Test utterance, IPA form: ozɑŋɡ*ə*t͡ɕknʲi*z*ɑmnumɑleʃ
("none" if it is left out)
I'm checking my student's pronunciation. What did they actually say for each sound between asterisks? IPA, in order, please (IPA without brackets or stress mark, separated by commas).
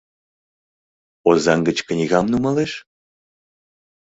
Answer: ə, ɣ